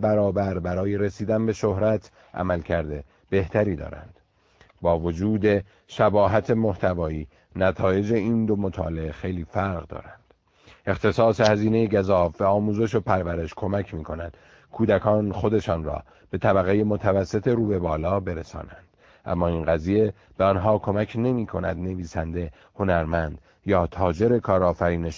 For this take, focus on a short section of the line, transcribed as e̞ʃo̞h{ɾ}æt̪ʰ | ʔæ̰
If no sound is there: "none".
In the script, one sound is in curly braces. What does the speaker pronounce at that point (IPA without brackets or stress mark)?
ɾ